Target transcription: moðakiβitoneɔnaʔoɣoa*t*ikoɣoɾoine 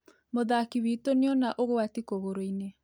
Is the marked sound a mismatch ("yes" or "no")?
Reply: no